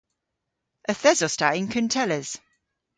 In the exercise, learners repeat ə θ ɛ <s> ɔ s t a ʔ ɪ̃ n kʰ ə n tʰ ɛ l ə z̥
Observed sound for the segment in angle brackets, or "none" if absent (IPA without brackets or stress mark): z